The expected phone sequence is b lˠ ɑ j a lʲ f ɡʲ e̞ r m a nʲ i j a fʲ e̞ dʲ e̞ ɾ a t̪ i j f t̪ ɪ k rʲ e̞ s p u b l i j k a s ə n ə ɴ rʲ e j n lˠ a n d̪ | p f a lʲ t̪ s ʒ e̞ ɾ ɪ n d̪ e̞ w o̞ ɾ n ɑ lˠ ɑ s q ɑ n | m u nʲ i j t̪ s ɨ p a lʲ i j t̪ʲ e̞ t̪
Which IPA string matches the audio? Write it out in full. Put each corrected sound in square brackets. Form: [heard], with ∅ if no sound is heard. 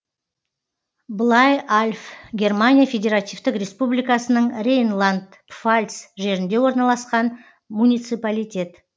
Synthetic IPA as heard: b lˠ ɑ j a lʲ f ɡʲ e̞ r m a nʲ i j a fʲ e̞ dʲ e̞ ɾ a t̪ i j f t̪ ɪ k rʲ e̞ s p u b l i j k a s ə n ə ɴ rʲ e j n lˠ a n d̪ | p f a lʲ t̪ s ʒ e̞ ɾ ɪ n d̪ e̞ w o̞ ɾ n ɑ lˠ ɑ s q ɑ n | m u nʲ i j t̪ s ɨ p a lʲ i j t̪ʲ e̞ t̪